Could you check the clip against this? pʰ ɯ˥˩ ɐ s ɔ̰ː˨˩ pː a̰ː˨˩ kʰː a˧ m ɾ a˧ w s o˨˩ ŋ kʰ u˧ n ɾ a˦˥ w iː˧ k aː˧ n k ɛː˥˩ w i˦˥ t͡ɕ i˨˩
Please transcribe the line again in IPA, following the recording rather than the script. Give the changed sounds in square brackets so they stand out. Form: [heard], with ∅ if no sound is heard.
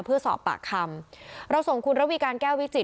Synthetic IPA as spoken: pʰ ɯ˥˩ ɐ s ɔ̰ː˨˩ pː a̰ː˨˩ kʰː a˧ m ɾ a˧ w s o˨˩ ŋ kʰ u˧ n ɾ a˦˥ w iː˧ k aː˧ n k ɛː˥˩ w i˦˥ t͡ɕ i˨˩